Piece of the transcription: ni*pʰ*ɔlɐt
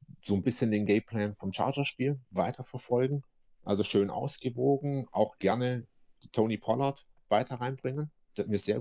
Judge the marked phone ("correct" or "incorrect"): correct